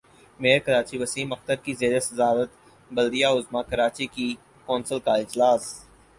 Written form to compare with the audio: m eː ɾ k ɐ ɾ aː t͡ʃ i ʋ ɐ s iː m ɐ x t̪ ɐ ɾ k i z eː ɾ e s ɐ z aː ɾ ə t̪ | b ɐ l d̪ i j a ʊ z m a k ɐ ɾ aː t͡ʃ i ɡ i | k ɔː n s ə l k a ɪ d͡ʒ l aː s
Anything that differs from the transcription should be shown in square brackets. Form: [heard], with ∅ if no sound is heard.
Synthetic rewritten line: m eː ɾ k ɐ ɾ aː t͡ʃ i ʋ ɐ s iː m ɐ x t̪ [ə] ɾ k i z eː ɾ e s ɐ z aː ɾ ə t̪ | b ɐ l d̪ i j a ʊ z m a k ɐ ɾ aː t͡ʃ i [k] i | k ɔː n s ə l k a ɪ d͡ʒ l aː s